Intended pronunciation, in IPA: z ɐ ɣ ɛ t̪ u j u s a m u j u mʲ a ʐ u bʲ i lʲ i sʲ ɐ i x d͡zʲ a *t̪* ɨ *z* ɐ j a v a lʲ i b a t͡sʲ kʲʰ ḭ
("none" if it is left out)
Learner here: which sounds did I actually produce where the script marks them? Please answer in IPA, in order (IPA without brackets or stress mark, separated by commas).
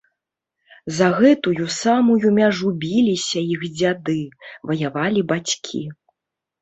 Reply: d̪, v